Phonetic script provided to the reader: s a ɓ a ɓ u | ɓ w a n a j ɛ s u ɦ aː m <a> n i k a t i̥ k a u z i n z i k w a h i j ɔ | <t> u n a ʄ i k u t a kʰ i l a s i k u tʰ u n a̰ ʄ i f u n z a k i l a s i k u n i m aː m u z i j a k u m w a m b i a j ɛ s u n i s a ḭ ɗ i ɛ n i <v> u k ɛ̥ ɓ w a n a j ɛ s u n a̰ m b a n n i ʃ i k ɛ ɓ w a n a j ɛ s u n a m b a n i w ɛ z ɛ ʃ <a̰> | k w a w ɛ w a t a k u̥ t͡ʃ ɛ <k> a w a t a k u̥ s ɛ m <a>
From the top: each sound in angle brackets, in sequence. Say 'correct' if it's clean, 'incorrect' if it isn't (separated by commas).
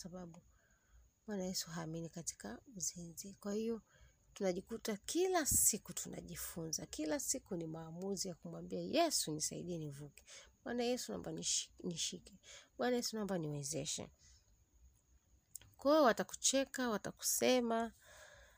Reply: incorrect, correct, correct, incorrect, correct, correct